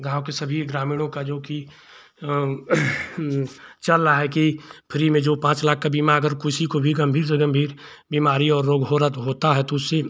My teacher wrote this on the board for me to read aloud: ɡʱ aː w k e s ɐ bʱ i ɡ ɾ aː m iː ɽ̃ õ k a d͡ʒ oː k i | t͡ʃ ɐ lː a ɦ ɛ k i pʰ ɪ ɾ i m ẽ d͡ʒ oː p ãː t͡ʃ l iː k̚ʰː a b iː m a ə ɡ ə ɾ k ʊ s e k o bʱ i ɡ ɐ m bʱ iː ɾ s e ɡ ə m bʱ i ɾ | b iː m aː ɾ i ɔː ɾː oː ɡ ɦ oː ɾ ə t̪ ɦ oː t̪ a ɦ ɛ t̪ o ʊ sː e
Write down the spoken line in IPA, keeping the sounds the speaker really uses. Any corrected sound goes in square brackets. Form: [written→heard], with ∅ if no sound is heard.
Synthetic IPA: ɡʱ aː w k e s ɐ bʱ i ɡ ɾ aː m iː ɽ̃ õ k a d͡ʒ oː k i | t͡ʃ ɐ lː a ɦ ɛ k i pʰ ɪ ɾ i m ẽ d͡ʒ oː p ãː t͡ʃ l [iː→aː] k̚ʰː a b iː m a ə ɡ ə ɾ k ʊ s [e→i] k o bʱ i ɡ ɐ m bʱ iː ɾ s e ɡ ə m bʱ [i→iː] ɾ | b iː m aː ɾ i ɔː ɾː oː ɡ ɦ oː ɾ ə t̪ ɦ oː t̪ a ɦ ɛ t̪ o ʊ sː e